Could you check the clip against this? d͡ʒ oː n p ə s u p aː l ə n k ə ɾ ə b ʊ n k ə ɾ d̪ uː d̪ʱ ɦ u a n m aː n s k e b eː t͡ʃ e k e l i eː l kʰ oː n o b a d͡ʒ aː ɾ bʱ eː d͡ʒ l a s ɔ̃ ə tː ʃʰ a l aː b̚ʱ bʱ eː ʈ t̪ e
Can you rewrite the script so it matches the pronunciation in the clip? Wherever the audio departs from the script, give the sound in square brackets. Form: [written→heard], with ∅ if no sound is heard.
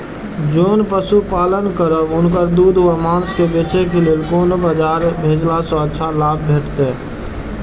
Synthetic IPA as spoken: d͡ʒ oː n p ə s u p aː l ə n k ə ɾ ə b ʊ n k ə ɾ d̪ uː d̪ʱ ɦ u a [n→∅] m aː n s k e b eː t͡ʃ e k e l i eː l [kʰ→k] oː n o b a d͡ʒ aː ɾ bʱ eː d͡ʒ l a s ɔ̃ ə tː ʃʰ a l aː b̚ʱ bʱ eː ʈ t̪ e